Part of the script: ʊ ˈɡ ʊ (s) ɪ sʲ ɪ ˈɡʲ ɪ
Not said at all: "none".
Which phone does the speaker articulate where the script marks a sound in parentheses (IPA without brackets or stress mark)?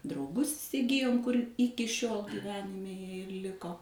s